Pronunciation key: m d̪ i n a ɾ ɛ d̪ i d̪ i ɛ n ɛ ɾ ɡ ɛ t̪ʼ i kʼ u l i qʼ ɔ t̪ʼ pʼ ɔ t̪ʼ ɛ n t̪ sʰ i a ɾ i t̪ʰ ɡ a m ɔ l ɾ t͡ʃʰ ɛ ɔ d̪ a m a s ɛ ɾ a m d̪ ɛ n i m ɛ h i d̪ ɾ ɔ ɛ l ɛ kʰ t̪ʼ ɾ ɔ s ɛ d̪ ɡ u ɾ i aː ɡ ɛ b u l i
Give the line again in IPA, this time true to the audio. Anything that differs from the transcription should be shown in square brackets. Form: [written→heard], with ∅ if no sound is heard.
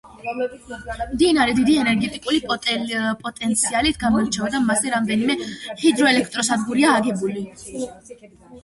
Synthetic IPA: m d̪ i n a ɾ ɛ d̪ i d̪ i ɛ n ɛ ɾ ɡ ɛ t̪ʼ i kʼ u l i [qʼ→pʼ] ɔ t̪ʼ pʼ ɔ t̪ʼ ɛ n t̪ sʰ i a [ɾ→l] i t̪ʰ ɡ a m ɔ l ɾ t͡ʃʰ ɛ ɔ d̪ a m a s ɛ ɾ a m d̪ ɛ n i m ɛ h i d̪ ɾ ɔ ɛ l ɛ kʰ t̪ʼ ɾ ɔ s [ɛ→a] d̪ ɡ u ɾ i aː ɡ ɛ b u l i